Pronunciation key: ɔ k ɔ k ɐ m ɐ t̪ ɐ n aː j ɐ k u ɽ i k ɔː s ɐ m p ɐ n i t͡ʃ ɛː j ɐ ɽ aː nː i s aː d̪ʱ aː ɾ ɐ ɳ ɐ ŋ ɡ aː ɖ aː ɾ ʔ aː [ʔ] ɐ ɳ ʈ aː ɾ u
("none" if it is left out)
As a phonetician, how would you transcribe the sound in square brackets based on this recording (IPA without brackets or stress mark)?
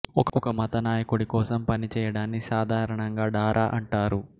ʔ